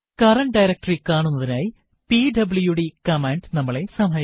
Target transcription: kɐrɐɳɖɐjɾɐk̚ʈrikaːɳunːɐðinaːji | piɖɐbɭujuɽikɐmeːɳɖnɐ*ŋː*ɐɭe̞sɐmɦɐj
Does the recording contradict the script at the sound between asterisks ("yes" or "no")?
yes